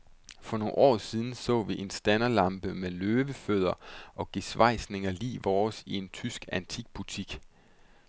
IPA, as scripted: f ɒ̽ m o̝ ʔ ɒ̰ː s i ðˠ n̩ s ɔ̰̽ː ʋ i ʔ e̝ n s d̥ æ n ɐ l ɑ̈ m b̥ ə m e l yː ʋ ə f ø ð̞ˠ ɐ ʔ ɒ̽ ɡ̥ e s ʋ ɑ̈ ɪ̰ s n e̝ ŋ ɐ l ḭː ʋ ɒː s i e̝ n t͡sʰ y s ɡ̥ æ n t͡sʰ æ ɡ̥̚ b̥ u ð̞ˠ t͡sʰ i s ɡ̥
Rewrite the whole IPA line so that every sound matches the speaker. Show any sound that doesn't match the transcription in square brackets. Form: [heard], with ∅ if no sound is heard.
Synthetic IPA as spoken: f ɒ̽ [n] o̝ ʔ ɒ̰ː s i ðˠ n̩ s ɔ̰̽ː ʋ i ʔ e̝ n s d̥ æ n ɐ l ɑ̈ m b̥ ə m e l [øː] ʋ ə f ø ð̞ˠ ɐ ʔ ɒ̽ ɡ̥ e s ʋ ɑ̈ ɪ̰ s n e̝ ŋ ɐ l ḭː ʋ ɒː s i e̝ n t͡sʰ y s ɡ̥ æ n t͡sʰ [i] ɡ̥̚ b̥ u [∅] t͡sʰ i [∅] ɡ̥